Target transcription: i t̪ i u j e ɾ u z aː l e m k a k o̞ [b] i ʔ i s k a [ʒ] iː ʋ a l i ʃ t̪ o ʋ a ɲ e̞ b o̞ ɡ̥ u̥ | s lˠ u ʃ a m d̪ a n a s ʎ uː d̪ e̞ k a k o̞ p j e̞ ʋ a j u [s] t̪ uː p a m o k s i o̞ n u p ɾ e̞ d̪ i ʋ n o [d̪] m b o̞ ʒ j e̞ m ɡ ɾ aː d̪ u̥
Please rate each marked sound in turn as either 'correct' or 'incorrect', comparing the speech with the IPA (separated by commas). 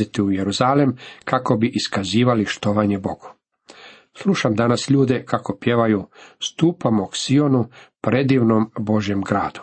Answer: correct, incorrect, correct, incorrect